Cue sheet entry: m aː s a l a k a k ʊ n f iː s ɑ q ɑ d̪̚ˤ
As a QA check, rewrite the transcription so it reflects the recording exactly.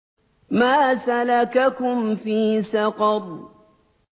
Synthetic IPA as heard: m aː s a l a k a k ʊ m f iː s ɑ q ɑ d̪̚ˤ